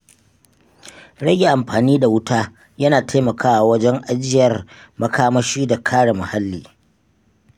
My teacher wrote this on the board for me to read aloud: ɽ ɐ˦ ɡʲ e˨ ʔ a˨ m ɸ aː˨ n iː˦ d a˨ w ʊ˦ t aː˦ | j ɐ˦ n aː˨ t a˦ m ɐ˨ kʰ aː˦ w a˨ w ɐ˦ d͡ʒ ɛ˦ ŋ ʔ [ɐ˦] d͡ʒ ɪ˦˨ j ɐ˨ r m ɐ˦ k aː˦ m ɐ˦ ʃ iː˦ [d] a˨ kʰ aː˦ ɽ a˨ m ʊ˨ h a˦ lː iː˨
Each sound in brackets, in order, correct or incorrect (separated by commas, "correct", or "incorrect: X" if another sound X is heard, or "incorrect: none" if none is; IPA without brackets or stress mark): incorrect: a˦, correct